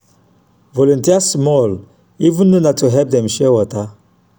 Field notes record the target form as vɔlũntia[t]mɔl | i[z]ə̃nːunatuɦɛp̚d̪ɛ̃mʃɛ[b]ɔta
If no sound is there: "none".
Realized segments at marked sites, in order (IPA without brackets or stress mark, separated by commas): s, v, w